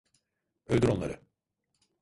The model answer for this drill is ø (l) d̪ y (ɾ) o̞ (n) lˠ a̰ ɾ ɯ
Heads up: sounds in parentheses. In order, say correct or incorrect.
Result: correct, correct, correct

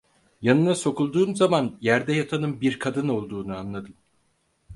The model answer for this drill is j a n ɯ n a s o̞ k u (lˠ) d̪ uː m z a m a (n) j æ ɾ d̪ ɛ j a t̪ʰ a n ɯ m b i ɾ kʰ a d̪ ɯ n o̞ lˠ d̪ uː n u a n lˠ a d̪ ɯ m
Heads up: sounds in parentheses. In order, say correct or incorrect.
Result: correct, correct

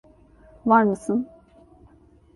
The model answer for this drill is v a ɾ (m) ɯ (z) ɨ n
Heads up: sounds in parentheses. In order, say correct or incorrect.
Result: correct, incorrect: s

